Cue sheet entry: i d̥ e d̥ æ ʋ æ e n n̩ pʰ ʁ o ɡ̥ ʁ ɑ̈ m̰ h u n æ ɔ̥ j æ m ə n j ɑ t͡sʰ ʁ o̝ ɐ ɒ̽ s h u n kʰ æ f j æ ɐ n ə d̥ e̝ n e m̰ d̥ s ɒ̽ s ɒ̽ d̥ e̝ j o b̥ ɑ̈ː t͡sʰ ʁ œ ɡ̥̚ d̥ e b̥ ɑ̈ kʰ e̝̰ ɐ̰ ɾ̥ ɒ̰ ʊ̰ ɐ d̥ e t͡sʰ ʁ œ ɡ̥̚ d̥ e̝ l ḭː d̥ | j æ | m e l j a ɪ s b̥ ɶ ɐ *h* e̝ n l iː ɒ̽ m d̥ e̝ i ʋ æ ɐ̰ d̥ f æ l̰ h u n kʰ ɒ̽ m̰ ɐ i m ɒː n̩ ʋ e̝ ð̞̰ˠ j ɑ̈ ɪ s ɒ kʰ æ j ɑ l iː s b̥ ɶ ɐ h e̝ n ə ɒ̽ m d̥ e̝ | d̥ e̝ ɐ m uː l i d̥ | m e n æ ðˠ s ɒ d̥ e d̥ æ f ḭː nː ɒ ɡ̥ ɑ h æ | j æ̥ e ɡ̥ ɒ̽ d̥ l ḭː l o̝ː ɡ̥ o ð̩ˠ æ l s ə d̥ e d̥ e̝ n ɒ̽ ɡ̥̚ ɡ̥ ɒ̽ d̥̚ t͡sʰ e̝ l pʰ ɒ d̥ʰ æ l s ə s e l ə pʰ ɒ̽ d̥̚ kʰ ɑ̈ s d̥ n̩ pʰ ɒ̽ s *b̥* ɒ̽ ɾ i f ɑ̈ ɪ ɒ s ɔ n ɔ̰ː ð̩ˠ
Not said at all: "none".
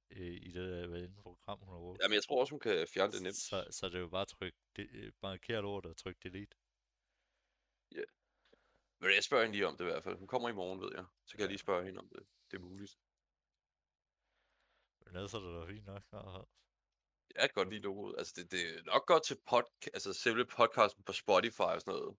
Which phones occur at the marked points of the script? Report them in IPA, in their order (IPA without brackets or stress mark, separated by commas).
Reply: h, b̥